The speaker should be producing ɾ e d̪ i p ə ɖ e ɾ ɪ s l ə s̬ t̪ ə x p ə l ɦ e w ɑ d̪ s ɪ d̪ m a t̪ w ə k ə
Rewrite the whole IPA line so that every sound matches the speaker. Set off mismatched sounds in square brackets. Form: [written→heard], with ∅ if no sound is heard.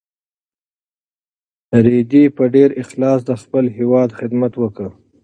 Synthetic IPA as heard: ɾ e d̪ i p ə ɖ e ɾ ɪ [s→x] l [ə→ɑ] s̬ [t̪→d̪] ə x p ə l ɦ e w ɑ d̪ [s→x] ɪ d̪ m a t̪ w ə k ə